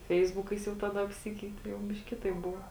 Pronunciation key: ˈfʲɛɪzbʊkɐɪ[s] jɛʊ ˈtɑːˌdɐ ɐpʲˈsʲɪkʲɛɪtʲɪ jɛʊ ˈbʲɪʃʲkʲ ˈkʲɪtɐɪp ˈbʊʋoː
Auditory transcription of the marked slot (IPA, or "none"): s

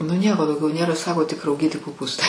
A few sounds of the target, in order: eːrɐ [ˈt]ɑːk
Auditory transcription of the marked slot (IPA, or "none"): s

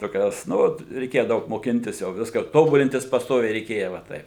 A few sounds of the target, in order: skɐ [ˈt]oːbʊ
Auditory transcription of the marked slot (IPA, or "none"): t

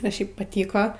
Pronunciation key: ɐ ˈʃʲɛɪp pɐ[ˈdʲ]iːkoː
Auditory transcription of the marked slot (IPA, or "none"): tʲ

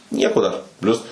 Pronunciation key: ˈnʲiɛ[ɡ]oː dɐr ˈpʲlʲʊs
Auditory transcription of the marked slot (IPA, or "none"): k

